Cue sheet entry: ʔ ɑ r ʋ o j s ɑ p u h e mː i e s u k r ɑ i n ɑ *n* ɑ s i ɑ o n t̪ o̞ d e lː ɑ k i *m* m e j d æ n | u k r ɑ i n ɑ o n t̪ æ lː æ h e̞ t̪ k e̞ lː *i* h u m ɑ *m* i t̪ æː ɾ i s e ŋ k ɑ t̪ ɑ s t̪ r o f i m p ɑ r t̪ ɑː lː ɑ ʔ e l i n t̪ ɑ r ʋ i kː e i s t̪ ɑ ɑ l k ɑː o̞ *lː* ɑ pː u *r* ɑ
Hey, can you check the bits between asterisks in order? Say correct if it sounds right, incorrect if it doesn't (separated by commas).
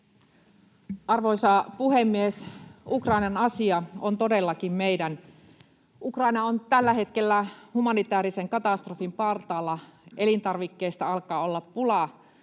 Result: correct, correct, incorrect, incorrect, correct, incorrect